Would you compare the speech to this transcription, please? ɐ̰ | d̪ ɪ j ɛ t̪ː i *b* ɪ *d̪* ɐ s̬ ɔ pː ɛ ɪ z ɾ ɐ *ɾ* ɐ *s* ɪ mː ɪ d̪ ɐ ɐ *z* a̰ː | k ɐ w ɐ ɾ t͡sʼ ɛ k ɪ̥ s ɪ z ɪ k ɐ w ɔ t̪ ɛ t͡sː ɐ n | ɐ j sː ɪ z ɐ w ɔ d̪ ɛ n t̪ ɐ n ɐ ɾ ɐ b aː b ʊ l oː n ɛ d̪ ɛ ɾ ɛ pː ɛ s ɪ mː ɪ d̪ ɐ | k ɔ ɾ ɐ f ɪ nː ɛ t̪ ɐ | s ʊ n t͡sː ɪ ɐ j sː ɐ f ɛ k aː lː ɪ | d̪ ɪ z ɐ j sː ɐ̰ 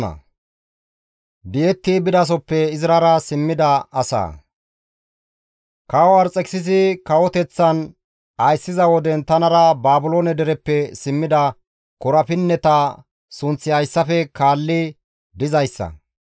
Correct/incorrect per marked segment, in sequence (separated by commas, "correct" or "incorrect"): correct, correct, correct, correct, incorrect